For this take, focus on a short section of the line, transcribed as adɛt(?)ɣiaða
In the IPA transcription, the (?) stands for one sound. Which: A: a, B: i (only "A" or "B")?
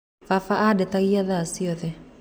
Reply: A